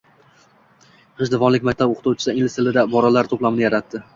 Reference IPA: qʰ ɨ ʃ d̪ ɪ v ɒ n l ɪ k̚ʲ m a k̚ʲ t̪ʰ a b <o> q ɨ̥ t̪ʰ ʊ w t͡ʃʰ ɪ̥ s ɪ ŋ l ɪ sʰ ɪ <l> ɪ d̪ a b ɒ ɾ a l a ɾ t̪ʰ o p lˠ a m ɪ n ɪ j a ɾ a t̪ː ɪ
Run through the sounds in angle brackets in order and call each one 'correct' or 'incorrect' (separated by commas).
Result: correct, correct